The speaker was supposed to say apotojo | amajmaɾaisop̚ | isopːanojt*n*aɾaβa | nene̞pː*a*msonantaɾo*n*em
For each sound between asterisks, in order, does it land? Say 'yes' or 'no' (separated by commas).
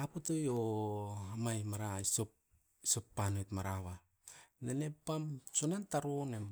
no, yes, yes